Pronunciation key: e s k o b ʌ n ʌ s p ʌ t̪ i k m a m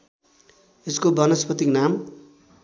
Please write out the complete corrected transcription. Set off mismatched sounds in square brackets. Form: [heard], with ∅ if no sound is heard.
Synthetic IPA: e s k o b ʌ n ʌ s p ʌ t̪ i k [n] a m